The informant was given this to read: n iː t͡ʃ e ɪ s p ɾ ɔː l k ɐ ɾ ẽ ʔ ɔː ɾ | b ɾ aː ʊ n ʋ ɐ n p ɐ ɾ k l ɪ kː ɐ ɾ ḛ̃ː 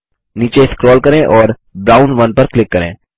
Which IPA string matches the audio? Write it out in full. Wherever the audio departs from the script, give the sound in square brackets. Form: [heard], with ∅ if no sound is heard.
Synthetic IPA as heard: n iː t͡ʃ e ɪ s [k] ɾ ɔː l k ɐ ɾ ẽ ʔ ɔː ɾ | b ɾ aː ʊ n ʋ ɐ n p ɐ ɾ k l ɪ kː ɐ ɾ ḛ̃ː